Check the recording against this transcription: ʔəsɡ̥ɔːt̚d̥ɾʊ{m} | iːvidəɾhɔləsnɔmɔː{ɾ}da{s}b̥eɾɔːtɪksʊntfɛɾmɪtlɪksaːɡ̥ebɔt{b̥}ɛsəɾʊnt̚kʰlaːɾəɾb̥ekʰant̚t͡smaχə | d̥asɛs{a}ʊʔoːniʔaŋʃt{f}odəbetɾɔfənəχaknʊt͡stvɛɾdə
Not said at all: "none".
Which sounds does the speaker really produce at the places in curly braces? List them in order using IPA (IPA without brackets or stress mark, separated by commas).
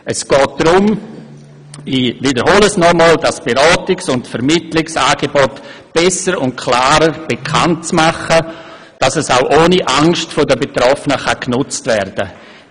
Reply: m, l, s, b̥, a, f